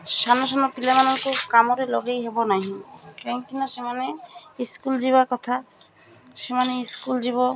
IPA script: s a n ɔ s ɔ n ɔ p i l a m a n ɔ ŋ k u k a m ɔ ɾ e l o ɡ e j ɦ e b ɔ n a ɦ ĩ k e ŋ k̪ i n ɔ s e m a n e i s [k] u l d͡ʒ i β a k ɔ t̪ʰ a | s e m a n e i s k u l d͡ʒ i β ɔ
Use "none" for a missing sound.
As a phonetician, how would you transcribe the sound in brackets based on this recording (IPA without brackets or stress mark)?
k